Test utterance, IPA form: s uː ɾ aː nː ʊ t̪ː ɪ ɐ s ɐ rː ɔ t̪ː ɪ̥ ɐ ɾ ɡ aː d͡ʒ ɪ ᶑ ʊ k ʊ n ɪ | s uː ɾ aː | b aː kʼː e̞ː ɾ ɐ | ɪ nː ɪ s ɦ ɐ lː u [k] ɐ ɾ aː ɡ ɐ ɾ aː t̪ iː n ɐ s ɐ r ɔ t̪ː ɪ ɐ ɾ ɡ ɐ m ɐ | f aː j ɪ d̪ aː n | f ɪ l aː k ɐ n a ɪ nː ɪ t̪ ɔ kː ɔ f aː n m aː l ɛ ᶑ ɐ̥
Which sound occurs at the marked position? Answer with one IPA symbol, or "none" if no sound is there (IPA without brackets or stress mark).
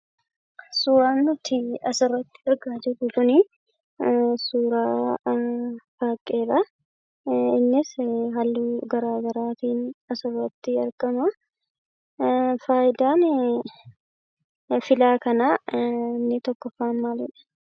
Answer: ɡ